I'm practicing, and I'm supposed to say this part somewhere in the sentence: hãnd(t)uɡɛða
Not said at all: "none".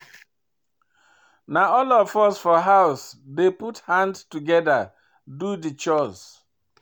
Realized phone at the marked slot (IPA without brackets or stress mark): t